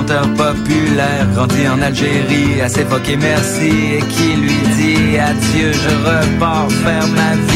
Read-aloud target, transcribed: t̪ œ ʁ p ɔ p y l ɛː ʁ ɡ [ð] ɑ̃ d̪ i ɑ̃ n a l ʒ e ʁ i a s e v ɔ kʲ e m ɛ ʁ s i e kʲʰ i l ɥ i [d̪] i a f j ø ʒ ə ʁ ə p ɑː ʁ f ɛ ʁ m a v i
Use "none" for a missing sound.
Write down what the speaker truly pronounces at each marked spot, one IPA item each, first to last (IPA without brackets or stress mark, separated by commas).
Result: ʁ, d̪